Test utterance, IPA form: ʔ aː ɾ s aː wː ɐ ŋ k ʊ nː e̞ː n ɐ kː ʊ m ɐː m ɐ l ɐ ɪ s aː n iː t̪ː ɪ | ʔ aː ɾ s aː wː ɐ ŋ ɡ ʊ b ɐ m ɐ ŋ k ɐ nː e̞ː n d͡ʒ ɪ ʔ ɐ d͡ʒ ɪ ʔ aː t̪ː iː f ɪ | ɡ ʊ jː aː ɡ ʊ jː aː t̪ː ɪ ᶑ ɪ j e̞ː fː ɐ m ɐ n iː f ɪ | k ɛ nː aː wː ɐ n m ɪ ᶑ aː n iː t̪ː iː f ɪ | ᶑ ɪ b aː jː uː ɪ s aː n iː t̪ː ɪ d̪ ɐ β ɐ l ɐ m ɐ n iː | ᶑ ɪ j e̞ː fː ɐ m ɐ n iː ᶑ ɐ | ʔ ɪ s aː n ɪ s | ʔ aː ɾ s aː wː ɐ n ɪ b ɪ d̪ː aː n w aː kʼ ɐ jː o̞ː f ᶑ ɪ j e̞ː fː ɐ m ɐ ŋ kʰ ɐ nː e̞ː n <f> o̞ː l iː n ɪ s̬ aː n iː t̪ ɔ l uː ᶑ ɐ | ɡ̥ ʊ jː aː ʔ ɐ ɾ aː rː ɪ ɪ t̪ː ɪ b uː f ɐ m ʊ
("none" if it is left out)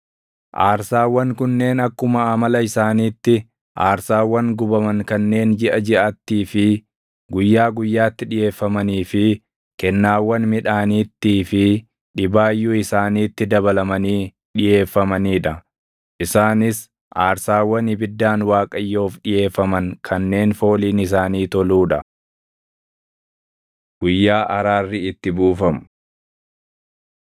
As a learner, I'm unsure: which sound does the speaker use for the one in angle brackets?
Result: f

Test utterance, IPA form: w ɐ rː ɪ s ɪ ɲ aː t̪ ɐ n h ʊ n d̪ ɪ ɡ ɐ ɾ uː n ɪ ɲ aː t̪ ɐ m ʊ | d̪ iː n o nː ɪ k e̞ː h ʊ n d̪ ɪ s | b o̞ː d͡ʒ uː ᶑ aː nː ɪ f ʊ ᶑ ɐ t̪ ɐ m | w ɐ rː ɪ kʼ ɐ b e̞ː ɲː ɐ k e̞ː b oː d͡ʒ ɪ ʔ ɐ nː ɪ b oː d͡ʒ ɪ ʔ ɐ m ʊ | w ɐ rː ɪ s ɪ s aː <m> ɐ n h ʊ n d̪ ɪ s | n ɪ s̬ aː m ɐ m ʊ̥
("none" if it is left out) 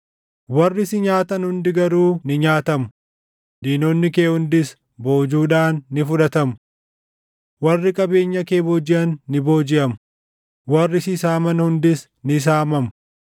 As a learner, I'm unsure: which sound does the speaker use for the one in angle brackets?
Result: m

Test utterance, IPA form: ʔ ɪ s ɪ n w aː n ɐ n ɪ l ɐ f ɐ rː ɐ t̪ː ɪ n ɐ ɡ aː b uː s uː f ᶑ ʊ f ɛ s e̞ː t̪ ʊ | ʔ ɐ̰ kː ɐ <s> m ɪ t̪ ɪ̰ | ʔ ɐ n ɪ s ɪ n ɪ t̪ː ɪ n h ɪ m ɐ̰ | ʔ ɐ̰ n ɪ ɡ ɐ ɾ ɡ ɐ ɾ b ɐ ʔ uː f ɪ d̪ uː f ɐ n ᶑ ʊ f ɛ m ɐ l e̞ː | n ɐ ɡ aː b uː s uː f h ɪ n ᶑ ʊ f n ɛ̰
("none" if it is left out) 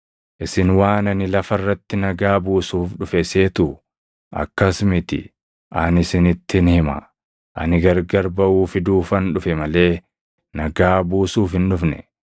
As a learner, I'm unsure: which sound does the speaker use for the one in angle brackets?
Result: s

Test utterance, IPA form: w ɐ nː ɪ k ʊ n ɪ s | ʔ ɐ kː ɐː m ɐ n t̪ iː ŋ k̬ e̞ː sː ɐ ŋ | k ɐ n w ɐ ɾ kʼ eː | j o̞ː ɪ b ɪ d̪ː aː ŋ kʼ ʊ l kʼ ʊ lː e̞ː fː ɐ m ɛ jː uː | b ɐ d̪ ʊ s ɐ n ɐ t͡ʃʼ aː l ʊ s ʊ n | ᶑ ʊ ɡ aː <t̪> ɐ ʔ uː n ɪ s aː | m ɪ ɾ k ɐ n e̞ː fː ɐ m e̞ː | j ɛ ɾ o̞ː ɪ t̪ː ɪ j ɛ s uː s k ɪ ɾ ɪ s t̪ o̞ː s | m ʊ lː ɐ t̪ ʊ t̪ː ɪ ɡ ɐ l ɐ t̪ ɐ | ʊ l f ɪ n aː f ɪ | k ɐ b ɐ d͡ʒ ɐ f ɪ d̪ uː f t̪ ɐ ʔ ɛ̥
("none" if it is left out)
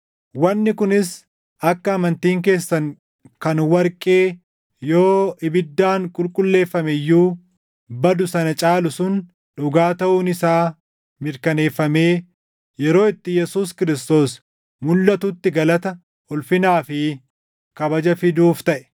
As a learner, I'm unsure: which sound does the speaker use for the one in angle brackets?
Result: t̪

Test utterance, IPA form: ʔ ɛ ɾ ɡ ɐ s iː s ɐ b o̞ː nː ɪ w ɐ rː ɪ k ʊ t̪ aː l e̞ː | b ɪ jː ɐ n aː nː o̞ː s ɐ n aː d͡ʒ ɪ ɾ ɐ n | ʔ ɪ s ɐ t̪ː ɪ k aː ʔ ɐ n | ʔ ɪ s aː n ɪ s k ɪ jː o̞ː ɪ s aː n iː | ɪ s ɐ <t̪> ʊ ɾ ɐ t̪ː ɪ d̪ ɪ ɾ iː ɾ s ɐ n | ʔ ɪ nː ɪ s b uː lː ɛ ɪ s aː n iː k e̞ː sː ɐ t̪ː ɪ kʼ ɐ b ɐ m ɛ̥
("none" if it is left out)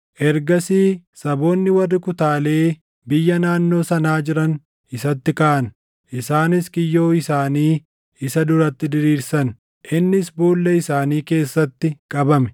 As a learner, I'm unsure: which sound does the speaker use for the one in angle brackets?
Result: d̪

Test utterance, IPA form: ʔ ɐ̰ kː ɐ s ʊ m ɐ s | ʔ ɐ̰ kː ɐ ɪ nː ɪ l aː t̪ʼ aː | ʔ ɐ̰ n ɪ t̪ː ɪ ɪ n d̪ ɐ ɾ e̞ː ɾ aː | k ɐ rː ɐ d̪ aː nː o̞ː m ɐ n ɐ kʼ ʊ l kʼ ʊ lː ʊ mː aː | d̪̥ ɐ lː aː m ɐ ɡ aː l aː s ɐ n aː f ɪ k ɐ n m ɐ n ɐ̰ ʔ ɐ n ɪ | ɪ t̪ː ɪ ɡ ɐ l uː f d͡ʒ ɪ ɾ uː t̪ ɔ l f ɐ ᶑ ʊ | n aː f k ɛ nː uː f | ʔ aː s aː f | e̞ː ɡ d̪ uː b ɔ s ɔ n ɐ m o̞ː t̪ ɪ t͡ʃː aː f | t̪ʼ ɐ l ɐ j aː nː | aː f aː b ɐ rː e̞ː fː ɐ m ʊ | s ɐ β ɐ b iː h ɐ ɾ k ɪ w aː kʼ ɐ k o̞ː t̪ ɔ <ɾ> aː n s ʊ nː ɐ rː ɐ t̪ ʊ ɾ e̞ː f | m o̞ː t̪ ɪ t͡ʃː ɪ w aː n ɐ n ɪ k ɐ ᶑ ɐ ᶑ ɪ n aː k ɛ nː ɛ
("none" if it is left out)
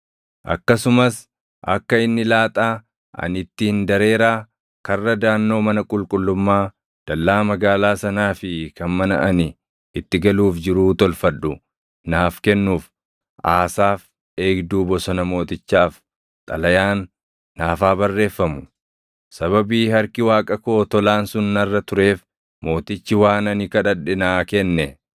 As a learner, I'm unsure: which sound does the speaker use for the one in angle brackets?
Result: l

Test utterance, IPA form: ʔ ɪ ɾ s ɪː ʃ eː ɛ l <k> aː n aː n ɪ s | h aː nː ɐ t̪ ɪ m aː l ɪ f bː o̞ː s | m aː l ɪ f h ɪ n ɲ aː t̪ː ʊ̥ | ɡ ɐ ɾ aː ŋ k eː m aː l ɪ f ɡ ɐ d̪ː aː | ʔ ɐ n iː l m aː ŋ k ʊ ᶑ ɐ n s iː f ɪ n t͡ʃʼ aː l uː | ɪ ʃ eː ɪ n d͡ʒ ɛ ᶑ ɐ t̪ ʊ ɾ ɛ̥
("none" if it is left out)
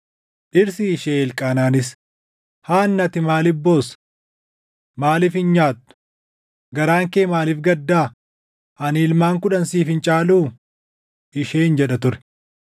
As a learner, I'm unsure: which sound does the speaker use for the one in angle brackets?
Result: kʼ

